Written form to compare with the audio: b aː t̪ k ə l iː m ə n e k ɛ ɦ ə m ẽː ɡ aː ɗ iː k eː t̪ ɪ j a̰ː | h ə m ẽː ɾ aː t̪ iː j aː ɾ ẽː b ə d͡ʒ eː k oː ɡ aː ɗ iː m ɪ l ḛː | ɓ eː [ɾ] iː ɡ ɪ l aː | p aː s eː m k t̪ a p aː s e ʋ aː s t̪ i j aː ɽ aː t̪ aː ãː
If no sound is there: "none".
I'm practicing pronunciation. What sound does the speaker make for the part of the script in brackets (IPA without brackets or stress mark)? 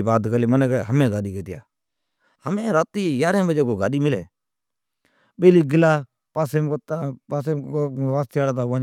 l